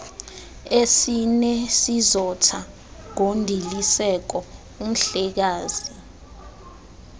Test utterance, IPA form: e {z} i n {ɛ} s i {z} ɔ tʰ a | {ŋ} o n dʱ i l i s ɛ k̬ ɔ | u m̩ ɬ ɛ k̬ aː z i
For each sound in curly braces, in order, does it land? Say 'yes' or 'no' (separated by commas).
no, yes, yes, yes